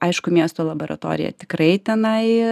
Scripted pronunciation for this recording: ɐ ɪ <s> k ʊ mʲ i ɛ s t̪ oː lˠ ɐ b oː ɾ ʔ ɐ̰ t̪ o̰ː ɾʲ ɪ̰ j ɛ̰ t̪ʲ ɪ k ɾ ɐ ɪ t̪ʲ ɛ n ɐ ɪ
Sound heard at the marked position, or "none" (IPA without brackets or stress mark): ʃ